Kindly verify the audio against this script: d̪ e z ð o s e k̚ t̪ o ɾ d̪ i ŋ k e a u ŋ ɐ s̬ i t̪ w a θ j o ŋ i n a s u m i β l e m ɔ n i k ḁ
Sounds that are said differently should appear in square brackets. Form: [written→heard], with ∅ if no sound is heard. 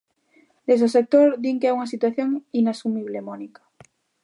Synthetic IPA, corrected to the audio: d̪ e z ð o s e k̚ t̪ o ɾ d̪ i ŋ k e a u ŋ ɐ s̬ i t̪ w a θ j o ŋ i n a s u m i β l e m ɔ n i k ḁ